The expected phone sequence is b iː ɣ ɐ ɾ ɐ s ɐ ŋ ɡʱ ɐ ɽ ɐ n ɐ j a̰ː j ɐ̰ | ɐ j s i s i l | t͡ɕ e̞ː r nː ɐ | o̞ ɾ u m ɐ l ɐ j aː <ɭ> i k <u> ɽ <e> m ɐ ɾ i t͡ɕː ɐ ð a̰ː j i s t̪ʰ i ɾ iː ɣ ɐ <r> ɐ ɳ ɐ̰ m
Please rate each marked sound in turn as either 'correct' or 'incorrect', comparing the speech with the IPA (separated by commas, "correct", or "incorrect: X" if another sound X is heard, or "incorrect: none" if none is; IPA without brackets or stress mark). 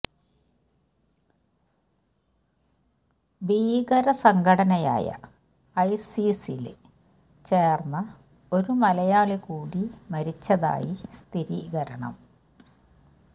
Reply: correct, incorrect: uː, incorrect: i, incorrect: ɾ